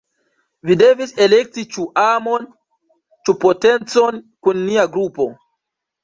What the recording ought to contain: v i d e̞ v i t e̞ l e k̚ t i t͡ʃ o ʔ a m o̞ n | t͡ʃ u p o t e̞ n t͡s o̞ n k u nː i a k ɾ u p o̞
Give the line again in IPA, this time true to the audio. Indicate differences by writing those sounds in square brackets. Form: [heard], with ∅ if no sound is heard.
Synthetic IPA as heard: v i d e̞ v i [s] e̞ l e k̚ t i t͡ʃ [u] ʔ a m o̞ n | t͡ʃ u p o t e̞ n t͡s o̞ n k u nː i a [ɡ] ɾ u p o̞